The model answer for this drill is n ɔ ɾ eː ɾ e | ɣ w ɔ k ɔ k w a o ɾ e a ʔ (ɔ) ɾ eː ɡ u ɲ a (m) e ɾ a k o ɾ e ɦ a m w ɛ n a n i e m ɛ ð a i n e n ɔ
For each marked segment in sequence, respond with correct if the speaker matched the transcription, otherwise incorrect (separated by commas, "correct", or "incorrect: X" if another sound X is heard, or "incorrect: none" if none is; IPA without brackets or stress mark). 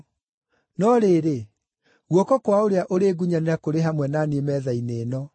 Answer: incorrect: o, incorrect: n